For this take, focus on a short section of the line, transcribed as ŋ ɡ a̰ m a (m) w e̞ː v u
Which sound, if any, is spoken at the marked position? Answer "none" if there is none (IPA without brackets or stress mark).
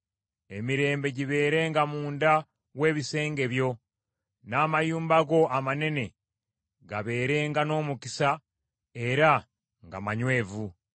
ɲ